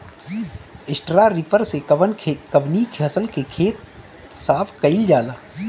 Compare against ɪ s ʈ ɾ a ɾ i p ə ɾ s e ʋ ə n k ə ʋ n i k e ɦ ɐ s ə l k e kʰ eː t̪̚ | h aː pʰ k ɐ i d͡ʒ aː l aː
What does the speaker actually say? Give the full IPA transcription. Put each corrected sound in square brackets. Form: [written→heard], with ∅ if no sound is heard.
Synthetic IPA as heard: ɪ s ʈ ɾ a ɾ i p ə ɾ s e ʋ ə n k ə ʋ n i k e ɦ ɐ s ə l k e kʰ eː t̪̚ | [h→s] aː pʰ k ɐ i d͡ʒ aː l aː